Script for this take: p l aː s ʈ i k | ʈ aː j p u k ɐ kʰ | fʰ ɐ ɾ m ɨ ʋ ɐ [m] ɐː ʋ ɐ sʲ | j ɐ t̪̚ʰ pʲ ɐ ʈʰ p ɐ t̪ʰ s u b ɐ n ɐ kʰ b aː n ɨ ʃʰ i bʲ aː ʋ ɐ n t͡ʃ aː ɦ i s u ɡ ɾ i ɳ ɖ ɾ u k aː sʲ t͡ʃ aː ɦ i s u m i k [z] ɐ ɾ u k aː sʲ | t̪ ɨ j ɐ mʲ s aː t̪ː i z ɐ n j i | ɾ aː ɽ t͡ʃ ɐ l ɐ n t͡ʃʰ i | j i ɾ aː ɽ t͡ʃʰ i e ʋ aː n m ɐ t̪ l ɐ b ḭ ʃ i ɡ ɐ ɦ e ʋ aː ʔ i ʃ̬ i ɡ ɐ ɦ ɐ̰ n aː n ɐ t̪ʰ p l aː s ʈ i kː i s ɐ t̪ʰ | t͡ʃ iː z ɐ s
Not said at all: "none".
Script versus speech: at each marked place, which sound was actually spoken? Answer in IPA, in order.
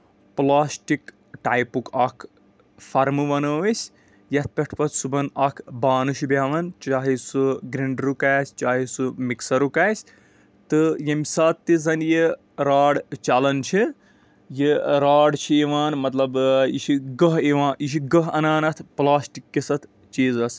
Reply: n, s

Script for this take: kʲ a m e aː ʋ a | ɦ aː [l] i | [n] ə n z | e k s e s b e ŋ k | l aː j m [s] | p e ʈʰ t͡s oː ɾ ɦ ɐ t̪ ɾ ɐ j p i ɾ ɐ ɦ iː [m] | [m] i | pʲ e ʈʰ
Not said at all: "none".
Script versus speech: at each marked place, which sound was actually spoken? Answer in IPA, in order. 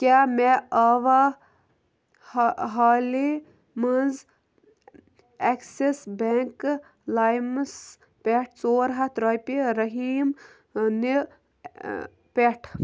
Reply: l, m, s, m, n

